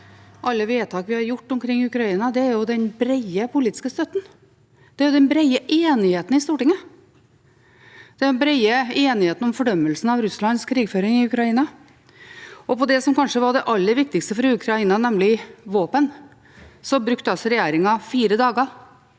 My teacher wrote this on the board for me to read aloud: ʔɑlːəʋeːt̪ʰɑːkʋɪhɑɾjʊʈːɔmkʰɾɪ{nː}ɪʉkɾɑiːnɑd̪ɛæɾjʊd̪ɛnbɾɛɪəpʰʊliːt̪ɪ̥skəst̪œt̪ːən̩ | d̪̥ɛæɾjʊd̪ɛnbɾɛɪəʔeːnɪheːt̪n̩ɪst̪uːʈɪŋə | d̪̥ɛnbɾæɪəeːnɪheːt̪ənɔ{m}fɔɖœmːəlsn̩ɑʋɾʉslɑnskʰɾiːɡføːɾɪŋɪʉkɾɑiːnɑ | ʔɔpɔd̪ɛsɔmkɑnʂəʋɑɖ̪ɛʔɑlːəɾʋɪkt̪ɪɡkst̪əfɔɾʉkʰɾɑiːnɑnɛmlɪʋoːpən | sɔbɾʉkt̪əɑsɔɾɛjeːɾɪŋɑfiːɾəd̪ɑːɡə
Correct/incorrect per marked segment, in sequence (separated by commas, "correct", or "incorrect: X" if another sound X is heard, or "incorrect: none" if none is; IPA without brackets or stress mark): incorrect: ŋː, correct